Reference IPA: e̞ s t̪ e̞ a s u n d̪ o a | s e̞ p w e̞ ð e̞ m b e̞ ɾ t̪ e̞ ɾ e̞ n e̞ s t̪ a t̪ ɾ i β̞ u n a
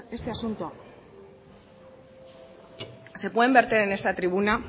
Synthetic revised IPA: e̞ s t̪ e̞ a s u n t̪ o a | s e̞ p w e̞ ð e̞ m b e̞ ɾ t̪ e̞ ɾ e̞ n e̞ s t̪ a t̪ ɾ i β̞ u n a